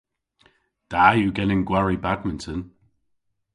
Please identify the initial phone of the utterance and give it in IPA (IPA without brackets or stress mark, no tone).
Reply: d̥